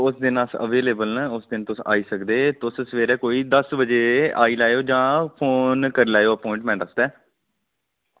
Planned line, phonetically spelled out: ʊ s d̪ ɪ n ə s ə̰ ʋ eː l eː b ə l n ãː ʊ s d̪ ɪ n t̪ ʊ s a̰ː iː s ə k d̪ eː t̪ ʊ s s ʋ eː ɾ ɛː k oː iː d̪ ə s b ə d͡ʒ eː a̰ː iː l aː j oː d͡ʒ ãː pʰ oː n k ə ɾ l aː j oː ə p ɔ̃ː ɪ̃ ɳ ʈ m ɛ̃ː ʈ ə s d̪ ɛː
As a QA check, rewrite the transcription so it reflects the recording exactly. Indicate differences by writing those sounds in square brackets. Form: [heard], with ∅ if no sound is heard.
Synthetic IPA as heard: ʊ s d̪ ɪ n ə s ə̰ ʋ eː l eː b ə l n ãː ʊ s d̪ ɪ n t̪ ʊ s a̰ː iː s ə k d̪ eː t̪ ʊ s s ʋ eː ɾ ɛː k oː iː d̪ ə s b ə d͡ʒ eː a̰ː iː l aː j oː d͡ʒ ãː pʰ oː n k ə ɾ l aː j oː ə p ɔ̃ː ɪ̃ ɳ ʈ m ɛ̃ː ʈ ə s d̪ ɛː